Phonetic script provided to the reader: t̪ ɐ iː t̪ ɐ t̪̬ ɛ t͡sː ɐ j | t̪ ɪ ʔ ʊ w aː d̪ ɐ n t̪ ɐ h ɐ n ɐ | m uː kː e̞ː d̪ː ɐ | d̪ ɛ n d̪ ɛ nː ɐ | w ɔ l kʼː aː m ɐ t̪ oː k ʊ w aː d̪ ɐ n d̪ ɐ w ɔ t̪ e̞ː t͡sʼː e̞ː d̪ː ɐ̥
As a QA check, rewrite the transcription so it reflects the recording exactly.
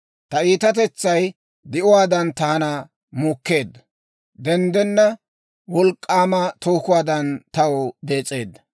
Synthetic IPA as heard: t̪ ɐ iː t̪ ɐ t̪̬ ɛ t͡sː ɐ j | d̪ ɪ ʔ ʊ w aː d̪ ɐ n t̪ ɐ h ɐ n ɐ | m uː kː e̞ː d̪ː ɐ | d̪ ɛ n d̪ ɛ nː ɐ | w ɔ l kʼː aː m ɐ t̪ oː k ʊ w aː d̪ ɐ n t̪ ɐ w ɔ d̪ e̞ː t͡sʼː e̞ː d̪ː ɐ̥